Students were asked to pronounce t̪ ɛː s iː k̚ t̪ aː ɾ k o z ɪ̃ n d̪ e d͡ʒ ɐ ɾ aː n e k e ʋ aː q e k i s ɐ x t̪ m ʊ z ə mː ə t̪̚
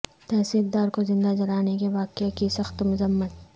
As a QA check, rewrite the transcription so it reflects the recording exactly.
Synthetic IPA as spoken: t̪ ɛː s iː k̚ d̪ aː ɾ k o z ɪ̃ n d̪ a d͡ʒ ɐ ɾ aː n e k e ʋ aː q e k i s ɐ x t̪ m ʊ z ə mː ə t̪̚